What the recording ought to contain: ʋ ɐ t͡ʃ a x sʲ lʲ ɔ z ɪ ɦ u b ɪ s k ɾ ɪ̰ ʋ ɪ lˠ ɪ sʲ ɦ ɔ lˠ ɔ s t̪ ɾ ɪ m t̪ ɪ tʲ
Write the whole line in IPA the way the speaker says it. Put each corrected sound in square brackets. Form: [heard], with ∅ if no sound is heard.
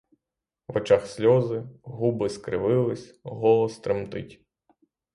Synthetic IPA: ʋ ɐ t͡ʃ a x sʲ lʲ ɔ z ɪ ɦ u b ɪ s k ɾ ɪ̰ ʋ ɪ lˠ ɪ sʲ ɦ ɔ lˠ ɔ s t̪ ɾ ɪ m t̪ ɪ tʲ